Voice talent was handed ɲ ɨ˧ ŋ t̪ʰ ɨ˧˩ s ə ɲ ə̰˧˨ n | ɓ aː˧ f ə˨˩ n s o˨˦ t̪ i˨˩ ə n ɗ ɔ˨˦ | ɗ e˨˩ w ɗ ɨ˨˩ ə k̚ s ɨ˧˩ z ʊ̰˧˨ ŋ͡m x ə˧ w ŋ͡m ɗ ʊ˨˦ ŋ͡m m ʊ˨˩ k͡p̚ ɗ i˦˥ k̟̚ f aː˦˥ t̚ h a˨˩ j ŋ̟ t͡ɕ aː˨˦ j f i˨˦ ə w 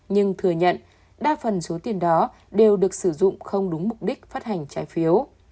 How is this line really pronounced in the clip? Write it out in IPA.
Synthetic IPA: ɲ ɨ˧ ŋ t̪ʰ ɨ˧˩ ə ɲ ə̰˧˨ n | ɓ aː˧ f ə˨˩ n s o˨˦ t̪ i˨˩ ə n ɗ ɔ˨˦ | ɗ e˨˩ w ɗ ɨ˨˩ ə k̚ s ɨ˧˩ z ʊ̰˧˨ ŋ͡m x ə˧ w ŋ͡m ɗ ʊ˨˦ ŋ͡m m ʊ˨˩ k͡p̚ ɗ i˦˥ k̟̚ f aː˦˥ t̚ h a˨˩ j ŋ̟ t͡ɕ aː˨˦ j f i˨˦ ə w